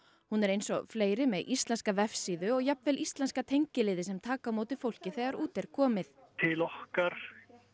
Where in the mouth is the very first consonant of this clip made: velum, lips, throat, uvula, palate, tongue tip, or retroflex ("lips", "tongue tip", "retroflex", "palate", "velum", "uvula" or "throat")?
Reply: throat